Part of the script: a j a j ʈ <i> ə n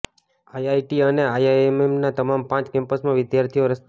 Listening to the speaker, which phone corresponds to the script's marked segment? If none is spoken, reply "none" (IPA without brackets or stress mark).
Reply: i